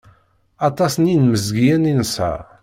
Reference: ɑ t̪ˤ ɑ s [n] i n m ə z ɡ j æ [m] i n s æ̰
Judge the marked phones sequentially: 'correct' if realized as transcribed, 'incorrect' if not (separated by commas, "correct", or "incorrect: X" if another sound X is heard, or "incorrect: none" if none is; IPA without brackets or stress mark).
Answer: correct, incorrect: n